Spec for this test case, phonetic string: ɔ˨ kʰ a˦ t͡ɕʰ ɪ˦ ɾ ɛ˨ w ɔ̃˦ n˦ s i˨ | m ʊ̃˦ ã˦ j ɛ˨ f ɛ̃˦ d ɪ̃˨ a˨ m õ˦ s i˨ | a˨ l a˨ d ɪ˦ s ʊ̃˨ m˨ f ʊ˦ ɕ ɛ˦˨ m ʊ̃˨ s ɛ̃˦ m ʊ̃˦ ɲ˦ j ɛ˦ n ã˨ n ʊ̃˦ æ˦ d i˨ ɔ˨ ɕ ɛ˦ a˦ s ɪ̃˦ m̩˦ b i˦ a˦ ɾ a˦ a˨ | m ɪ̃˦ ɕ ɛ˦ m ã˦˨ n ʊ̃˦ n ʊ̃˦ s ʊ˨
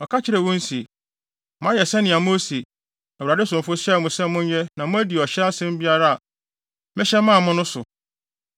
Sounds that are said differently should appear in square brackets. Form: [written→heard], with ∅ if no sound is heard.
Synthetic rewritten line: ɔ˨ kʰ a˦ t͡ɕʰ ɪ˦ ɾ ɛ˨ w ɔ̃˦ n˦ s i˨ | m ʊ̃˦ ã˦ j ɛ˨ [f→s] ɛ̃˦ [d→n] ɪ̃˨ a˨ m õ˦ s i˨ | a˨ [l→ɾ] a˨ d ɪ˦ s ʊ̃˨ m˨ f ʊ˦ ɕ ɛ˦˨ m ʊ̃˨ s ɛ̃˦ m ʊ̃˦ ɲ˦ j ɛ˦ n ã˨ [n→m] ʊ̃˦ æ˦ d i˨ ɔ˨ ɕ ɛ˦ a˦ s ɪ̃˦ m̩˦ b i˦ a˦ ɾ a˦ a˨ | m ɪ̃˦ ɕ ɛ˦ m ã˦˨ [n→m] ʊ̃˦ n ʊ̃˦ s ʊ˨